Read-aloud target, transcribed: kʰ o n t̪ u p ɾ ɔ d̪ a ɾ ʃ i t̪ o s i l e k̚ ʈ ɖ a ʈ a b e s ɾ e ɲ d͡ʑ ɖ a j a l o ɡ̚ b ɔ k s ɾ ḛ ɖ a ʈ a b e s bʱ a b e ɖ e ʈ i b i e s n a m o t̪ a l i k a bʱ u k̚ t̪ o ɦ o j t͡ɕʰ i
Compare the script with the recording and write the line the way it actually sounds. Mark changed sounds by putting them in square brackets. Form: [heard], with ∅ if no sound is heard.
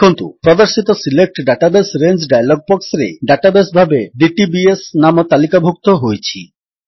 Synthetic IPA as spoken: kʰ o n t̪ u p ɾ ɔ d̪ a ɾ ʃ i t̪ o s i l e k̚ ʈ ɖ a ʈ a b e s ɾ e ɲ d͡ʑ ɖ a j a l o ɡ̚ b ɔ k s ɾ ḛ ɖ a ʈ a b e s bʱ a b e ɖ [i] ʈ i b i e s n a m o t̪ a l i k a bʱ u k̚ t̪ o ɦ o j t͡ɕʰ i

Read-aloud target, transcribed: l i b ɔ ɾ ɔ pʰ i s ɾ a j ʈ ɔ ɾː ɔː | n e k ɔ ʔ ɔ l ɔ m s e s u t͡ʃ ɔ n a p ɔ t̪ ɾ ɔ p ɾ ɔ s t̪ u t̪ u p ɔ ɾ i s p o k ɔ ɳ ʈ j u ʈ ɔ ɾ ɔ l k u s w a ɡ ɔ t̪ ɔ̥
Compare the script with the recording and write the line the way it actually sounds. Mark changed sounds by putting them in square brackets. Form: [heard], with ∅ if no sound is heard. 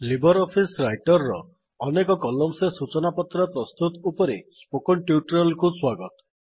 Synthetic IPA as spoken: l i b ɔ ɾ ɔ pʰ i s ɾ a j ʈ ɔ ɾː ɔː | n e k ɔ [k] ɔ l ɔ m s e s u t͡ʃ ɔ n a p ɔ t̪ ɾ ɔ p ɾ ɔ s t̪ u t̪ u p ɔ ɾ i s p o k ɔ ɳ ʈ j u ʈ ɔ ɾ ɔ l k u s w a ɡ ɔ t̪ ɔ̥

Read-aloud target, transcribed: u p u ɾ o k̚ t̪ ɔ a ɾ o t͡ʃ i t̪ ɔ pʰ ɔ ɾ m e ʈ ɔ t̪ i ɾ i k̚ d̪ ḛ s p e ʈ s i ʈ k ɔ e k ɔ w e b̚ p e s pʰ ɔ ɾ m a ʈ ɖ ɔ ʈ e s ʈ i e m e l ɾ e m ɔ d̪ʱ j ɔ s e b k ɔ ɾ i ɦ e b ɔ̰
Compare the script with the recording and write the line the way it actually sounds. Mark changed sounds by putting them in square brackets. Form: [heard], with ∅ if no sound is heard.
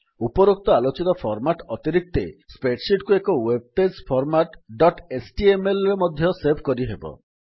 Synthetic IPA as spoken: u p [ɔ] ɾ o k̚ t̪ ɔ a [l] o t͡ʃ i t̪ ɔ pʰ ɔ ɾ m [a] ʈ ɔ t̪ i ɾ i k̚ [t̪] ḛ s p e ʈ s i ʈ k [u] e k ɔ w e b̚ p e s pʰ ɔ ɾ m a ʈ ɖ ɔ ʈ e s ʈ i e m e l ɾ e m ɔ d̪ʱ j ɔ s e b k ɔ ɾ i ɦ e b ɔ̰

